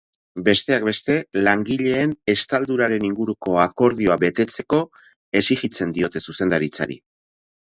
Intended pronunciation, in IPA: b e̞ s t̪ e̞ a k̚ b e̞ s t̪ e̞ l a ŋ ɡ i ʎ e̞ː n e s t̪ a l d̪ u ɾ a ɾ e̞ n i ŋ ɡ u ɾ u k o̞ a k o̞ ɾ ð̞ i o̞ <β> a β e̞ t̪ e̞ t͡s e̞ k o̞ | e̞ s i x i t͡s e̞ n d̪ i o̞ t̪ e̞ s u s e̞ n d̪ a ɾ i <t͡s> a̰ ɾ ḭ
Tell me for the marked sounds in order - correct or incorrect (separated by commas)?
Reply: incorrect, correct